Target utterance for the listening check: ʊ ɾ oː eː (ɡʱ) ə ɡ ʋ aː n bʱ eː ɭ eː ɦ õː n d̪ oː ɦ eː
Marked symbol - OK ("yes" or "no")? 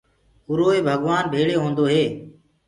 no